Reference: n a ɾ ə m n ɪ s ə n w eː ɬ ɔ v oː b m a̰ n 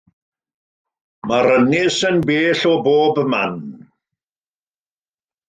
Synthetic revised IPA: m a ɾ ə n ɪ s ə n b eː ɬ ɔ b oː b m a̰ n